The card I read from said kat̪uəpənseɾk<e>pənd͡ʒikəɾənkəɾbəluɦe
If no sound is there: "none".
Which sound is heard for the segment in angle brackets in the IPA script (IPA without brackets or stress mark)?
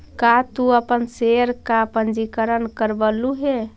a